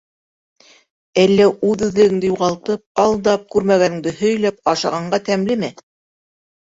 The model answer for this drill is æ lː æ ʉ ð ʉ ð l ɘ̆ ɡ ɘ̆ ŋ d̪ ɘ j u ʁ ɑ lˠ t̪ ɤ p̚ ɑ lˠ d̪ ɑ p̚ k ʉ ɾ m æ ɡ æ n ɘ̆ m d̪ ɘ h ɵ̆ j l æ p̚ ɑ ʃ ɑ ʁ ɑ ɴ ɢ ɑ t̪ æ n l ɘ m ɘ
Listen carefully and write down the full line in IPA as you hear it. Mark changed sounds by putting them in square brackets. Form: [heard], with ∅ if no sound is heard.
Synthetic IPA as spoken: æ lː æ ʉ ð ʉ ð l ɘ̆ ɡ ɘ̆ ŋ d̪ ɘ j u ʁ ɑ lˠ t̪ ɤ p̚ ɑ lˠ d̪ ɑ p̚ k ʉ ɾ m æ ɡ æ n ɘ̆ [ŋ] d̪ ɘ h ɵ̆ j l æ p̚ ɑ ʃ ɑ ʁ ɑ ɴ ɢ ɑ t̪ æ [m] l ɘ m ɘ